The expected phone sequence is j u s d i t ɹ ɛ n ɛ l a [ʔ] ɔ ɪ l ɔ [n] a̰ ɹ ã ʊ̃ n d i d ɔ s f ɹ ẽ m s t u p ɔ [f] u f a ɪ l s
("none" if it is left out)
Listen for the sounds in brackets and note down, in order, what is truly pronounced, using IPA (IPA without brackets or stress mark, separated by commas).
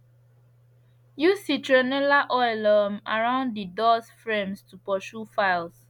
ʔ, m, ʃ